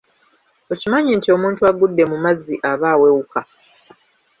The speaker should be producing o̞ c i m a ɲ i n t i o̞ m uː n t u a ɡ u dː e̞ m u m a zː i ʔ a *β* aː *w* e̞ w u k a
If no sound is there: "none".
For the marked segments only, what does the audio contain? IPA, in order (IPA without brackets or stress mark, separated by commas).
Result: β, w